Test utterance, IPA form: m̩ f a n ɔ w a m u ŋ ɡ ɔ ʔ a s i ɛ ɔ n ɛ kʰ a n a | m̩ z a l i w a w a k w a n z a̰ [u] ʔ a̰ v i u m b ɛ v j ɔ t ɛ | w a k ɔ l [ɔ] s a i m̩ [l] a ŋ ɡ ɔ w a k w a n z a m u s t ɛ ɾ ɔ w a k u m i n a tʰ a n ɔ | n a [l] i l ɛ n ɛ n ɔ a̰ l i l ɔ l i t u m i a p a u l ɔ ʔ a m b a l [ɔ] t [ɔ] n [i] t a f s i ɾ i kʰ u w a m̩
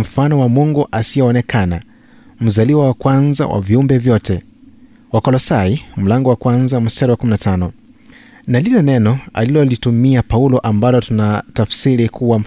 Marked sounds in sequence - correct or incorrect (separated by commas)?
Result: incorrect, correct, correct, correct, correct, incorrect, incorrect